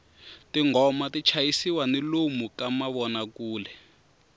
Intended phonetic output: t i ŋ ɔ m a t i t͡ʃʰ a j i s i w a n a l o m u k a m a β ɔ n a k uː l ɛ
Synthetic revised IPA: t i ŋ ɔ m a t i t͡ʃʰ a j i s i w a n i l o m u k a m a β ɔ n a k uː l ɛ

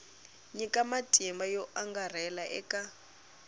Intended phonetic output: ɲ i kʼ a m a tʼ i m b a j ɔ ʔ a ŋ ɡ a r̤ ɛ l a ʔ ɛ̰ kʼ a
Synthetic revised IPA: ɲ i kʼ a m a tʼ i m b a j ɔ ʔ a ŋ ɡ a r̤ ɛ l a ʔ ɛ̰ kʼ a

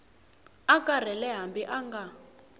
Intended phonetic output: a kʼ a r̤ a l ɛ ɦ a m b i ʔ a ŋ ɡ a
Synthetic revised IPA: a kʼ a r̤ ɛ l ɛ ɦ a m b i ʔ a ŋ ɡ a

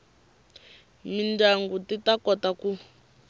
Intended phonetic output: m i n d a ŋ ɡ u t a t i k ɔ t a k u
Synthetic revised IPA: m i n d a ŋ ɡ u t i t a k ɔ t a k u

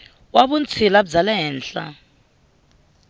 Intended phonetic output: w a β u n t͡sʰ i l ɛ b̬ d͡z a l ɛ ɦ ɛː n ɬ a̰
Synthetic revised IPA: w a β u n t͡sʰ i l a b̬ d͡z a l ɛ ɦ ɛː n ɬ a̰

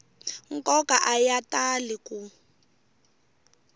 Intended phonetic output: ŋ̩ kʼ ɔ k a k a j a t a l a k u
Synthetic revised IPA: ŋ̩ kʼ ɔ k a ʔ a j a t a l i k u

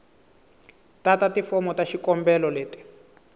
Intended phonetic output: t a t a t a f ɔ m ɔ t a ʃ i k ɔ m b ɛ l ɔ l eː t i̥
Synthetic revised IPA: t a t a t i f ɔ m ɔ t a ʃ i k ɔ m b ɛ l ɔ l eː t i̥

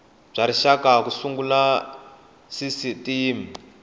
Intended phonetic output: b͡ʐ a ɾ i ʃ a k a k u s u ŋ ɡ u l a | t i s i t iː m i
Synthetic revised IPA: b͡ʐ a ɾ i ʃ a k a k u s u ŋ ɡ u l a | s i s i t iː m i

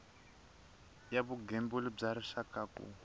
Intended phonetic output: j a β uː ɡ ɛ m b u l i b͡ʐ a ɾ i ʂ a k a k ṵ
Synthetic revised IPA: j a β u ɡ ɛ m b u l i b͡ʐ a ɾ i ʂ a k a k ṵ

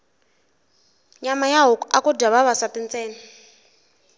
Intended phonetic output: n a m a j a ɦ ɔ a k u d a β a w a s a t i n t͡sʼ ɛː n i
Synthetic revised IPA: ɲ a m a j a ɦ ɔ a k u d a β a β a s a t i n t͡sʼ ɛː n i

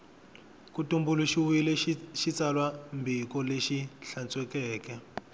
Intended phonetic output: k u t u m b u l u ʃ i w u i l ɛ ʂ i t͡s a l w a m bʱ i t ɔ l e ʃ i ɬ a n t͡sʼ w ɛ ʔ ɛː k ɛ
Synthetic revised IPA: k u t u m b u l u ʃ i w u i l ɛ ʃ i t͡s a l w a m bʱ i k ɔ l e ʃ i ɬ a n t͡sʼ w ɛ k ɛː k ɛ

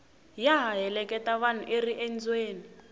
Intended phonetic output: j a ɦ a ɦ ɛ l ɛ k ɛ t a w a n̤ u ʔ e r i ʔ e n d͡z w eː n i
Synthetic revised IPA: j a ɦ a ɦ ɛ l ɛ k ɛ t a β a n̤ u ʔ e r i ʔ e n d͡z w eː n i

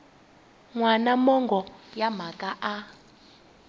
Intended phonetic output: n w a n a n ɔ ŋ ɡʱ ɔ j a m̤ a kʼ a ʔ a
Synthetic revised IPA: ŋ w a n a m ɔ ŋ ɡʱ ɔ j a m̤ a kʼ a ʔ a

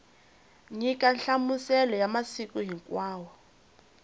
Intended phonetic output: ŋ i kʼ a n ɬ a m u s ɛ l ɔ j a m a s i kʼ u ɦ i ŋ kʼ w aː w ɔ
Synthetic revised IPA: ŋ i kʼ a n ɬ a m u s ɛ l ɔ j a m a s i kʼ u ɦ i ŋ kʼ w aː w ɔ

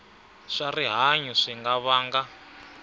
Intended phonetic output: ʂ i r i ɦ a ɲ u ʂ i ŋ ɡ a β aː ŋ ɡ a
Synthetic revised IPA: ʂ a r i ɦ a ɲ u ʂ i ŋ ɡ a β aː ŋ ɡ a

